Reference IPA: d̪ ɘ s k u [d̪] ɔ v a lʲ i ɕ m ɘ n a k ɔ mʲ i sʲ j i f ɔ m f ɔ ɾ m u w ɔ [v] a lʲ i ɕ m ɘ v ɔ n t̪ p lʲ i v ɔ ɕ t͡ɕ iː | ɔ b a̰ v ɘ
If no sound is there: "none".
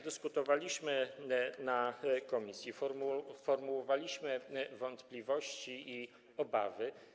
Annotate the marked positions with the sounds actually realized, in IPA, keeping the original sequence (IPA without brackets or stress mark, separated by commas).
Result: t̪, v